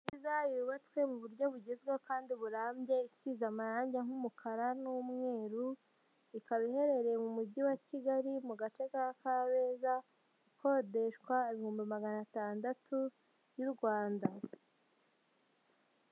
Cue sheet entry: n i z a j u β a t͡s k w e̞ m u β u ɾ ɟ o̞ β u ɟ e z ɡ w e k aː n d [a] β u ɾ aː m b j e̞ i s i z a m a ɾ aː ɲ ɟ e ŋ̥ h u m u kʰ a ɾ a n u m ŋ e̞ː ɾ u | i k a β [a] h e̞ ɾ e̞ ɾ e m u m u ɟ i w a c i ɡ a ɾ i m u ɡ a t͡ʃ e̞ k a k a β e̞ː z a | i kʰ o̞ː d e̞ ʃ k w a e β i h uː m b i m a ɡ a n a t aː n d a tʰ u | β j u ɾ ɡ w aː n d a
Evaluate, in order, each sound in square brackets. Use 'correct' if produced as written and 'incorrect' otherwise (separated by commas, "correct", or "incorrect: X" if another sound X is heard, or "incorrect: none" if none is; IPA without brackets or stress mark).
incorrect: i, incorrect: i